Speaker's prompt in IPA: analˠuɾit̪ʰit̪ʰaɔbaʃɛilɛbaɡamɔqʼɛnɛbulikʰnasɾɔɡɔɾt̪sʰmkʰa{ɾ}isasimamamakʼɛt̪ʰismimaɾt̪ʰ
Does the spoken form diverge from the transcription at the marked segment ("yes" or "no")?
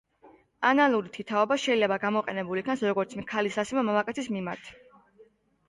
yes